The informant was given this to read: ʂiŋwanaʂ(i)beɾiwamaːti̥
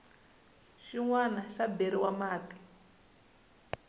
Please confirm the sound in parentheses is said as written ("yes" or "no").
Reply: no